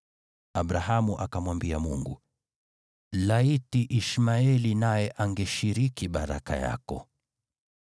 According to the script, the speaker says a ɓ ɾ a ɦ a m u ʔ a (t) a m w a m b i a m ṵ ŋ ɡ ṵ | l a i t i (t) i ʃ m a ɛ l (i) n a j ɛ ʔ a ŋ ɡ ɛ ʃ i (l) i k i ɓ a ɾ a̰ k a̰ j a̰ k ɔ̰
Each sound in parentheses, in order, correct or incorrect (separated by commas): incorrect, incorrect, correct, incorrect